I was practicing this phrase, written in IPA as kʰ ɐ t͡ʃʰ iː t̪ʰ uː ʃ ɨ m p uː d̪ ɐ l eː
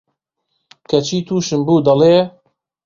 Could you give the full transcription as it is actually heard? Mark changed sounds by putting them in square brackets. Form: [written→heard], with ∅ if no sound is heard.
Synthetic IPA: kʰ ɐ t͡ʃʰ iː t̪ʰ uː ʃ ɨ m [p→b] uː d̪ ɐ l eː